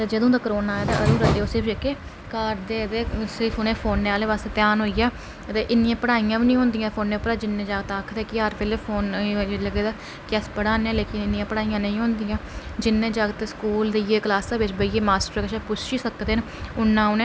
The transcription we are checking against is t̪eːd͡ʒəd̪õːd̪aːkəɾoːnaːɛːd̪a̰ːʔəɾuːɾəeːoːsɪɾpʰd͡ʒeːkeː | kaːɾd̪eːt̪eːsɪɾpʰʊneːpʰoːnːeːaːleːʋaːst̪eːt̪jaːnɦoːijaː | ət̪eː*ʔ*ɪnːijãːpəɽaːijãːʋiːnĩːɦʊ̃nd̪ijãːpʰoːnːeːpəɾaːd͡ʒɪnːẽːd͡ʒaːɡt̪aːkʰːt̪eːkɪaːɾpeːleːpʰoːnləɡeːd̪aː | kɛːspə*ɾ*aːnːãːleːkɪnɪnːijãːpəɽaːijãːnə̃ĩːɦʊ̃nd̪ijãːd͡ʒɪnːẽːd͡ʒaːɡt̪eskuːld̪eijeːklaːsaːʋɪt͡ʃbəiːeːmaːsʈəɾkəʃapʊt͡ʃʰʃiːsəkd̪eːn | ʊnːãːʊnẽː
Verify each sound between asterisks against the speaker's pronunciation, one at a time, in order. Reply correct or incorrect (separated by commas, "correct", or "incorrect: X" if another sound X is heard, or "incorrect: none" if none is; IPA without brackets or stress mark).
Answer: correct, incorrect: ɽ